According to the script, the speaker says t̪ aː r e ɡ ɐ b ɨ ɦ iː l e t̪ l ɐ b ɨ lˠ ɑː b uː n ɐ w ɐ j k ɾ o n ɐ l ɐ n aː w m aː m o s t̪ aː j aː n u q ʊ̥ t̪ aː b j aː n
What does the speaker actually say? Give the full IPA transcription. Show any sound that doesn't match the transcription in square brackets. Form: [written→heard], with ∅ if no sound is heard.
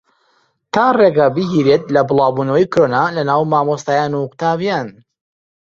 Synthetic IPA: t̪ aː r e ɡ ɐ b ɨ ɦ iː [l→ɾ] e t̪ l ɐ b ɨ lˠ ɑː b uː n ɐ w ɐ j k ɾ o n [ɐ→a] l ɐ n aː w m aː m o s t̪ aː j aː n u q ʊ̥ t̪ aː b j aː n

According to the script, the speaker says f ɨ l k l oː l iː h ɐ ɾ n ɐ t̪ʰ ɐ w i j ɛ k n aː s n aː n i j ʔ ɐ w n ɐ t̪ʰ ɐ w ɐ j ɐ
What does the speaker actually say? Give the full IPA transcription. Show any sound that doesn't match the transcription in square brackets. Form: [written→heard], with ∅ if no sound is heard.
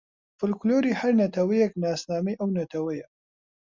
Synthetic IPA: f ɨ l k l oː [l→ɾ] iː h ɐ ɾ n ɐ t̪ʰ ɐ w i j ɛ k n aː s n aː [n→m] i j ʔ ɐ w n ɐ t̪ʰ ɐ w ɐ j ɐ

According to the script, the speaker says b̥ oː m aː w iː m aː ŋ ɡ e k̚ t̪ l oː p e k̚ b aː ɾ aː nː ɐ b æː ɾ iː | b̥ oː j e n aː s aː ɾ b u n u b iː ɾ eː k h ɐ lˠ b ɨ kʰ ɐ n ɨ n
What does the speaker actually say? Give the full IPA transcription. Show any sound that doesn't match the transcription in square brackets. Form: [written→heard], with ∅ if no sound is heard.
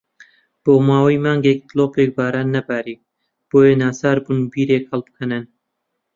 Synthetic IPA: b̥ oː m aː w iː m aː ŋ ɡ e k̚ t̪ l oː p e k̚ b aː ɾ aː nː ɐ b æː ɾ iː | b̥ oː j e n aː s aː ɾ b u n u b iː ɾ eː k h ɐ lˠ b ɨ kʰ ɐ n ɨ n

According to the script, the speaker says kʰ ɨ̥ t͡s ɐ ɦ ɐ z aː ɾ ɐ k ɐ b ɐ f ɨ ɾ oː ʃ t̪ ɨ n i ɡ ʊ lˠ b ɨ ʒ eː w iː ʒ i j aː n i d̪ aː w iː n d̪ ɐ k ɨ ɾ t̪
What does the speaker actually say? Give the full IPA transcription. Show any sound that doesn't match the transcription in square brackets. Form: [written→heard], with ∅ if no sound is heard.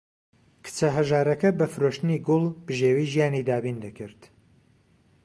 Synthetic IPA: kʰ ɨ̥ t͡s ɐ ɦ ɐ [z→ʒ] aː ɾ ɐ k ɐ b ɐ f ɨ ɾ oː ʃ t̪ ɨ n i ɡ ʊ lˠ b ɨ ʒ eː w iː ʒ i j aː n i d̪ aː [w→b] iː n d̪ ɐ k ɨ ɾ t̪

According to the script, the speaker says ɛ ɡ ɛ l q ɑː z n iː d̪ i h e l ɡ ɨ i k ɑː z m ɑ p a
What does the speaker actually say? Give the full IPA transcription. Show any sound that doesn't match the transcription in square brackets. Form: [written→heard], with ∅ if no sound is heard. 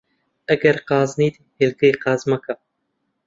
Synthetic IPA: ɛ ɡ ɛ [l→ɾ] q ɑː z n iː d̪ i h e l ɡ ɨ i [k→q] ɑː z m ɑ [p→k] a

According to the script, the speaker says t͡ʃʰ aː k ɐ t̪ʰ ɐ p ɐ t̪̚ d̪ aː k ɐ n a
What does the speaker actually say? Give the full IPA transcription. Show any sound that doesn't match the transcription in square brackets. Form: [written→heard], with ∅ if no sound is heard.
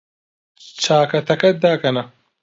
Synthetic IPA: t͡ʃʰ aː k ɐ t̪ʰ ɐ [p→k] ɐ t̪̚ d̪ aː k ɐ n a

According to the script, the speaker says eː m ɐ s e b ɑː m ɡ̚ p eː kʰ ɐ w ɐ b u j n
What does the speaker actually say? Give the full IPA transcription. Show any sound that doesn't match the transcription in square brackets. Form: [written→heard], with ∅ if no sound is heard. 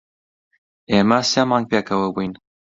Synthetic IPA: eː m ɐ s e [b→m] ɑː [m→ŋ] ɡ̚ p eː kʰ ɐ w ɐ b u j n

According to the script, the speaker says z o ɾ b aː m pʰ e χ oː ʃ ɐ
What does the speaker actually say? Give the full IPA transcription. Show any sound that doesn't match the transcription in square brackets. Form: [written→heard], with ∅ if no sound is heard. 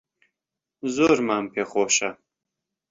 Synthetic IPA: z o ɾ [b→m] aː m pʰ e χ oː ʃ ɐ

